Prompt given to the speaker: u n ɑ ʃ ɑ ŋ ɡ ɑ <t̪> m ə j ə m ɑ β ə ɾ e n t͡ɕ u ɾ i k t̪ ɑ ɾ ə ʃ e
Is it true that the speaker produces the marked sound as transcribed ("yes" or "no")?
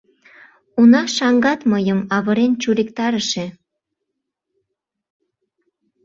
yes